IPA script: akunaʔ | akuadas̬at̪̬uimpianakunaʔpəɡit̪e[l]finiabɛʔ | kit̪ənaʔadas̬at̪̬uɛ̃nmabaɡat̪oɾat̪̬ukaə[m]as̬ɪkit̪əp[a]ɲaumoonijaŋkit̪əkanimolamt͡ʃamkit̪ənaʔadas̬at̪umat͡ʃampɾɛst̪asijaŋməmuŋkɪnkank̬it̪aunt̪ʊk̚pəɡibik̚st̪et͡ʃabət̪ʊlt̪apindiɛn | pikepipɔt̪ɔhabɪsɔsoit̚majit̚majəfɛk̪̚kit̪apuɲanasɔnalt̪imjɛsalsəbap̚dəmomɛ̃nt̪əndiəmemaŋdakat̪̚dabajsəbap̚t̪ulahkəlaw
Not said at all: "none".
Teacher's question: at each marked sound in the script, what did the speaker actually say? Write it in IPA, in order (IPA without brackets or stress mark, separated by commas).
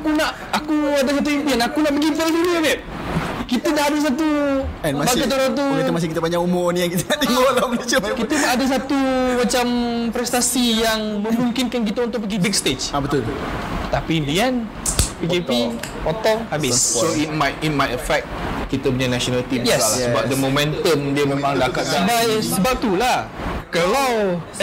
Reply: l, m, a